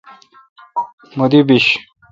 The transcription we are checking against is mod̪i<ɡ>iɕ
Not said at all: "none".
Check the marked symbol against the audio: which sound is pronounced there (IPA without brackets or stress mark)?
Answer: b